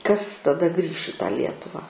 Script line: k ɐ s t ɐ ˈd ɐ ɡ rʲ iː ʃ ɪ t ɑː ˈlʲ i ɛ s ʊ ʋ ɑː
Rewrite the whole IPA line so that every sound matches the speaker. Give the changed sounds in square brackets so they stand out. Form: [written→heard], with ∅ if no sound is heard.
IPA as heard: k ɐ s t ɐ ˈd ɐ ɡ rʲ iː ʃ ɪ t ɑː ˈlʲ i ɛ [s→t] ʊ ʋ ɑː